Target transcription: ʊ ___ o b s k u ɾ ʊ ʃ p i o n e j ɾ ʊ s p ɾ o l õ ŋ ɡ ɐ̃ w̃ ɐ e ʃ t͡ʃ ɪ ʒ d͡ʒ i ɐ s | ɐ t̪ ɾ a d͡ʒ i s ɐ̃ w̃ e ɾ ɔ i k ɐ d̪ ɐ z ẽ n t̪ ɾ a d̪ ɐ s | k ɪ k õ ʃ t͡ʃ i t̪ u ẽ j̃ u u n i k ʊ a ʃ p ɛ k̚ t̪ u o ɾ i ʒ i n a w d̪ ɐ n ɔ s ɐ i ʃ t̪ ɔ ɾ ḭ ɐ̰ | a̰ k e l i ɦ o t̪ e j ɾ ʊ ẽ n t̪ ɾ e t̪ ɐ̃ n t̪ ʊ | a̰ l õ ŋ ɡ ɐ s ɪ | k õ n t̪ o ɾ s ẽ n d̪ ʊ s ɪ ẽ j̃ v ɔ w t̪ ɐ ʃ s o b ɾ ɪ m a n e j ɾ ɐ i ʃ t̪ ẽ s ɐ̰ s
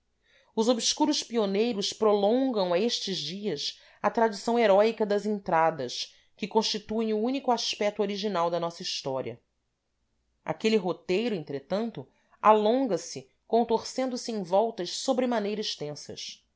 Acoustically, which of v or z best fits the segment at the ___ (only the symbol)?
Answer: z